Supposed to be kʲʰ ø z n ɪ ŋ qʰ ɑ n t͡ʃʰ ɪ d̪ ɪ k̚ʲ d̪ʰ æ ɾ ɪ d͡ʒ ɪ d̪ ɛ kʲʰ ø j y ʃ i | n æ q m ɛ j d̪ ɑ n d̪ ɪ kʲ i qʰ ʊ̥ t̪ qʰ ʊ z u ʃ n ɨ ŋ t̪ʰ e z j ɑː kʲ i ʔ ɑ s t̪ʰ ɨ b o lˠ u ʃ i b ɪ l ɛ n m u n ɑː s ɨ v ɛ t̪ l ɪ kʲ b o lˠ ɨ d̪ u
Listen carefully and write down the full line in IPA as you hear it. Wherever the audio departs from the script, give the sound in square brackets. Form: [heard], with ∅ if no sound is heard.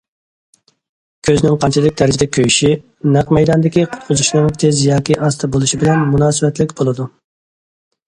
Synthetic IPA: kʲʰ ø z n ɪ ŋ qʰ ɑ n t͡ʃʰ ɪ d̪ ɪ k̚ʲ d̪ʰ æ ɾ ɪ d͡ʒ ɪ d̪ ɛ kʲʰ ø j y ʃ i | n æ q m ɛ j d̪ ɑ n d̪ ɪ kʲ i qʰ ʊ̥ t̪ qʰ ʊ z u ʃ n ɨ ŋ t̪ʰ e z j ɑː kʲ i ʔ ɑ s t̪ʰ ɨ b o lˠ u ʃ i b ɪ l ɛ n m u n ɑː s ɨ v ɛ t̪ l ɪ kʲ b o lˠ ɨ d̪ u